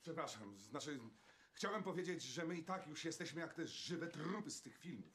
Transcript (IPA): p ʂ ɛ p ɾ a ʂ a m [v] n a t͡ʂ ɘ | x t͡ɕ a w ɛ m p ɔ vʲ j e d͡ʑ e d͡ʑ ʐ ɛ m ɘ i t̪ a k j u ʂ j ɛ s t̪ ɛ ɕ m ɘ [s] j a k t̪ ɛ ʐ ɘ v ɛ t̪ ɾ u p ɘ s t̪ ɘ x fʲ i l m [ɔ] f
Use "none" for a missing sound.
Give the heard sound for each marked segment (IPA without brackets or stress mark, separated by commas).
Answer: z, none, u